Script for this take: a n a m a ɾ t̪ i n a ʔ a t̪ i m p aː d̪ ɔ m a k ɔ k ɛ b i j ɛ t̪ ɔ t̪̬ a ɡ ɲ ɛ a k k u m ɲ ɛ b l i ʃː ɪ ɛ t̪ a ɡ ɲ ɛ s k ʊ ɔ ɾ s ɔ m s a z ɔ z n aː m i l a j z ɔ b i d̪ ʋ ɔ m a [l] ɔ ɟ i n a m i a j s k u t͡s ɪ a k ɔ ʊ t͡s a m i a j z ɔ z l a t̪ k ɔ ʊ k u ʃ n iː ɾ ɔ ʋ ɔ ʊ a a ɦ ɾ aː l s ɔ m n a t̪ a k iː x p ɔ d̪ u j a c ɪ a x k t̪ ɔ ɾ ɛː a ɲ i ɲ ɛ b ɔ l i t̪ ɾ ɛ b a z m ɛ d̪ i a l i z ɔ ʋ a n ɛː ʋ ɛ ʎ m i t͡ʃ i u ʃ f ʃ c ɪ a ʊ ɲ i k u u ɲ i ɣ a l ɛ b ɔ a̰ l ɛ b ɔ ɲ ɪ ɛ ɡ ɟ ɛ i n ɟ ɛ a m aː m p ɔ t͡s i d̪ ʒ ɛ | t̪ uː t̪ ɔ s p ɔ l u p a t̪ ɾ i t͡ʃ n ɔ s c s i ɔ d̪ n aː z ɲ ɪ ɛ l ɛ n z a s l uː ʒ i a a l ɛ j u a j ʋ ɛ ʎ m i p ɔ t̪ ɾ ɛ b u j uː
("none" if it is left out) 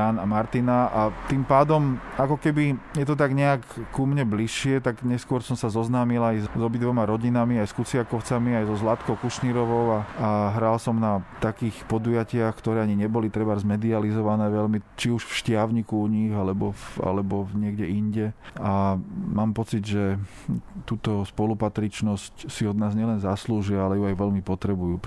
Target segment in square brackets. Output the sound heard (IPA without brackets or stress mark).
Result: ɾ